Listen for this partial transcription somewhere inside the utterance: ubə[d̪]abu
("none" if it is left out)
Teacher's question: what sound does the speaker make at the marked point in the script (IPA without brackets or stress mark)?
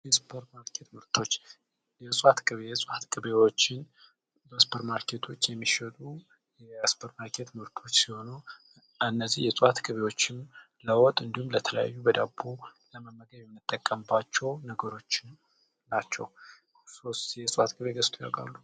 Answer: d̪